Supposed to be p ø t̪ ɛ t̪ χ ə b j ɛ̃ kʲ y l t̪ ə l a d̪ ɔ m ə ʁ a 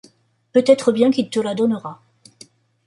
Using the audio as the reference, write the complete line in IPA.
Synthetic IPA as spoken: p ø t̪ ɛ t̪ χ ə b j ɛ̃ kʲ i l t̪ ə l a d̪ ɔ n ə ʁ a